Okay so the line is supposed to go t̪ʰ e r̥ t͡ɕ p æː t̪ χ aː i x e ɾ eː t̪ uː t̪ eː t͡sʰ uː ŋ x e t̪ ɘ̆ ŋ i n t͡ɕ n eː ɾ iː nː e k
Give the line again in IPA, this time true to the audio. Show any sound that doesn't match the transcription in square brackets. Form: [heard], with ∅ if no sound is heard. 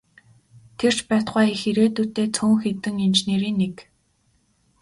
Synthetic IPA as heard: t̪ʰ e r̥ t͡ɕ p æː t̪ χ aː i x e ɾ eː t̪ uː t̪ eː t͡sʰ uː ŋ x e t̪ ɘ̆ ŋ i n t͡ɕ n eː ɾ iː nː e k